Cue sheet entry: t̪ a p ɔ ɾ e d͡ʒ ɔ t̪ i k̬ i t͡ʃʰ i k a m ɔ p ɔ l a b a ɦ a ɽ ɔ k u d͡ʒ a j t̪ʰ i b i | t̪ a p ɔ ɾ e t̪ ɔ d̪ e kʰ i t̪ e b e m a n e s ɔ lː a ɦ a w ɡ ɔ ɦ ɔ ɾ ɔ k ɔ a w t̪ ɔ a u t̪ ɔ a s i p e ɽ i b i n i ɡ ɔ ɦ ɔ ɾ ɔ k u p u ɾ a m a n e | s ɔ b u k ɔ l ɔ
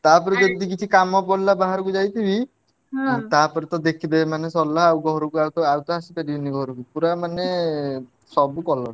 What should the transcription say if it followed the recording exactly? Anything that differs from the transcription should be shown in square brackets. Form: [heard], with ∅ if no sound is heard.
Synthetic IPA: t̪ a p ɔ ɾ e d͡ʒ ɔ [d̪] i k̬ i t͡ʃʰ i k a m ɔ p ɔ l a b a ɦ a [ɾ] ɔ k u d͡ʒ a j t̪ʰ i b i | t̪ a p ɔ ɾ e t̪ ɔ d̪ e kʰ i [d̪] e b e m a n e s ɔ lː a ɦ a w ɡ ɔ ɦ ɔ ɾ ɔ k [u] a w t̪ ɔ a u t̪ ɔ a s i p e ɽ i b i n i ɡ ɔ ɦ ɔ ɾ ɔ k u p u ɾ a m a n e | s ɔ b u k ɔ l ɔ

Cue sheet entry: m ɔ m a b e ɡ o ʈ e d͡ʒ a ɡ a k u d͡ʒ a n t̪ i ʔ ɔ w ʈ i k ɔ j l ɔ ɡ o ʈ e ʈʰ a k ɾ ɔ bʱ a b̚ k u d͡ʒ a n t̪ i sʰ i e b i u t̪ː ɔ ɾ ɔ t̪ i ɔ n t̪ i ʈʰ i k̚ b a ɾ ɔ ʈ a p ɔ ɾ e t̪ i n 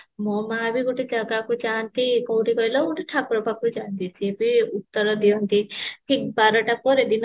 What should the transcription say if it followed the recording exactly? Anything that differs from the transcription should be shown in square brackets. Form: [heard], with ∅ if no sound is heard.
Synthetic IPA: m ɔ m a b [i] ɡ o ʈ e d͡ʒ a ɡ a k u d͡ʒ a n t̪ i [k] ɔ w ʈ i k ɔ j l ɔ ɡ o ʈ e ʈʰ a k ɾ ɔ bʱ a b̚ k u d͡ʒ a n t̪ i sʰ i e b i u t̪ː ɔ ɾ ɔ [d̪] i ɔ n t̪ i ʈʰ i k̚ b a ɾ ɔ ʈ a p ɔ ɾ e [d̪] i n

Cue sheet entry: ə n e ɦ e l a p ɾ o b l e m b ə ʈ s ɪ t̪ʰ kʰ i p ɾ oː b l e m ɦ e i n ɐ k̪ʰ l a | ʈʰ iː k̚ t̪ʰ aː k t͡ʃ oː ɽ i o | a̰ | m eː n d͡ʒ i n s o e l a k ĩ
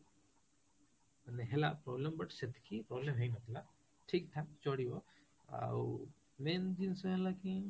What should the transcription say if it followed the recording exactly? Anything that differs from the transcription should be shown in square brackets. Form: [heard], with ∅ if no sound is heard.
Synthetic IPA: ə n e ɦ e l a p ɾ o b l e m b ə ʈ s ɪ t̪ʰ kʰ i p ɾ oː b l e m ɦ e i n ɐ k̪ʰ l a | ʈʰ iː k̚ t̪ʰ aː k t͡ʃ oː ɽ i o | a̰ | m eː n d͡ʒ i n s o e l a k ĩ

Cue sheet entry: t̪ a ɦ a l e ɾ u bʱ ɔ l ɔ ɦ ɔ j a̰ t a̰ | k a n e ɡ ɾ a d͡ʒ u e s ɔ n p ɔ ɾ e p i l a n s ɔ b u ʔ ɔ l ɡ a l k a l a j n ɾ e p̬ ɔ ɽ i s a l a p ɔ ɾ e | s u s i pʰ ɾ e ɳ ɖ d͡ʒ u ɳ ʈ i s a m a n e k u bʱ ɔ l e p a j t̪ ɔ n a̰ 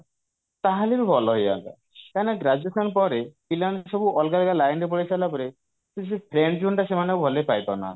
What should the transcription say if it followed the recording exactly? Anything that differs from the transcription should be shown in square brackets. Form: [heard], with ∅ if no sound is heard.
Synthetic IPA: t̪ a ɦ a l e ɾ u bʱ ɔ l ɔ ɦ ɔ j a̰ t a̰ | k a n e ɡ ɾ a d͡ʒ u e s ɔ n p ɔ ɾ e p i l a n s ɔ b u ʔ ɔ l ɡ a l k a l a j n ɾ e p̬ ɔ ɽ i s a l a p ɔ ɾ e | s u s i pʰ ɾ e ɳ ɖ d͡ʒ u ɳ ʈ [a] s [e] m a n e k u bʱ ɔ l e p a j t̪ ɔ n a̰

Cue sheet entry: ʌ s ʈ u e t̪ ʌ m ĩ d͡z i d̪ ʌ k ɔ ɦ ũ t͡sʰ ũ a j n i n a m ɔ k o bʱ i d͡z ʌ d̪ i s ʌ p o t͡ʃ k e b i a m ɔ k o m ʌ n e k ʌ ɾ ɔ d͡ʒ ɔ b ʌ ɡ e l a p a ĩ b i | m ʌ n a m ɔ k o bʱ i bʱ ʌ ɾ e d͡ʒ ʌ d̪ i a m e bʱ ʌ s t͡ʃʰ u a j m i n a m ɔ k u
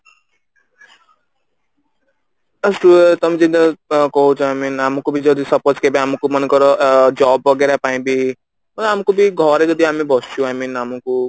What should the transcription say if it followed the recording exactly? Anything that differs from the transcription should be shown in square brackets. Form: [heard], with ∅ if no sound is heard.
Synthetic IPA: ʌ s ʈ u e t̪ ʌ m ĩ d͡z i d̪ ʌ k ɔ ɦ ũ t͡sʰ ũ a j [m] i n a m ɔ k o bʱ i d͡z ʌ d̪ i s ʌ p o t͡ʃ k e b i a m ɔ k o m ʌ n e k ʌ ɾ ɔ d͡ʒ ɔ b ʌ ɡ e [ɾ] a p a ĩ b i | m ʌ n a m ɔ k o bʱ i [ɡʱ] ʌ ɾ e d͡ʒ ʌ d̪ i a m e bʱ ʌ s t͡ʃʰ u a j m i n a m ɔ k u

